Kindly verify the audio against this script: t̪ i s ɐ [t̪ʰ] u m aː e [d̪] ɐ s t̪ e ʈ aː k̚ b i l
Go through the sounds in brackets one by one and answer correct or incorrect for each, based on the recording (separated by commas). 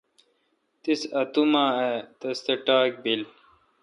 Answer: incorrect, incorrect